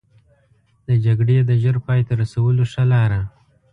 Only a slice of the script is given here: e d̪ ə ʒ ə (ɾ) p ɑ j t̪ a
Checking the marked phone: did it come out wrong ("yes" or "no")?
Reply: no